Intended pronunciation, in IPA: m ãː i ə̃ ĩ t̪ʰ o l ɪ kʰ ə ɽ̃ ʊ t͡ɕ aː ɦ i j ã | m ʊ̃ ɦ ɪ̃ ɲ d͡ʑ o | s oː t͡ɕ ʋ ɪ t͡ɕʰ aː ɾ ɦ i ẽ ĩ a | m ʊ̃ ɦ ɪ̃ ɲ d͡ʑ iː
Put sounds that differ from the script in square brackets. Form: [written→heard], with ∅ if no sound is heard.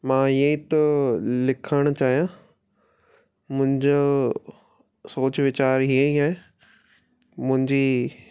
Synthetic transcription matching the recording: m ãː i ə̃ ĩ [t̪ʰ→t̪] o l ɪ kʰ ə ɽ̃ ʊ t͡ɕ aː ɦ i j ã | m ʊ̃ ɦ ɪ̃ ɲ d͡ʑ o | s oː t͡ɕ ʋ ɪ [t͡ɕʰ→t͡ɕ] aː ɾ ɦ i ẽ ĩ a | m ʊ̃ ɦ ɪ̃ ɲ d͡ʑ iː